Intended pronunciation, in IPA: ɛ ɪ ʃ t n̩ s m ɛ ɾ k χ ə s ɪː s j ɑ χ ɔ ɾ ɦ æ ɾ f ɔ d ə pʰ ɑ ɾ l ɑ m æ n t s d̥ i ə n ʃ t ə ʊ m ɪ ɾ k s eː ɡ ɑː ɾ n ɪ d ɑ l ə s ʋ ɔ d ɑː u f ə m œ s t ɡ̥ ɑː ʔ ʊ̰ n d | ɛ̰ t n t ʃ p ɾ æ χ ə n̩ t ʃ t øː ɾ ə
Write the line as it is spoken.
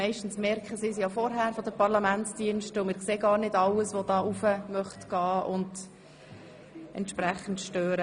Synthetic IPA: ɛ ɪ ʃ t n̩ s m ɛ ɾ k χ ə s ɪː s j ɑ f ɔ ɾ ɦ æ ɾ f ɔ d ə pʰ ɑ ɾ l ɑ m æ n t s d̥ i ə n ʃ t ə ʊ m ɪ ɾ k s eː ɡ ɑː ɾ n ɪ d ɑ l ə s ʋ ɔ d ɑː u f ə m œ χ t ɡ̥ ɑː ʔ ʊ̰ n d | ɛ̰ n t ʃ p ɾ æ χ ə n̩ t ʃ t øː ɾ ə